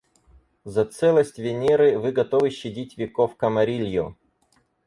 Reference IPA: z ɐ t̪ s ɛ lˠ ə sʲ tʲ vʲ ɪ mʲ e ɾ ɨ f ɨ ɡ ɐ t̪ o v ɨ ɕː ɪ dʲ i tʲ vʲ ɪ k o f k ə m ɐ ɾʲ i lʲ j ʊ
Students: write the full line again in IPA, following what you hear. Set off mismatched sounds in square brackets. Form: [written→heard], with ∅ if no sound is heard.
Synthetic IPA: z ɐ t̪ s ɛ lˠ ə sʲ tʲ vʲ ɪ [mʲ→nʲ] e ɾ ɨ [f→v] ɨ ɡ ɐ t̪ o v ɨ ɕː ɪ dʲ i tʲ vʲ ɪ k o f k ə m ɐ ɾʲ i lʲ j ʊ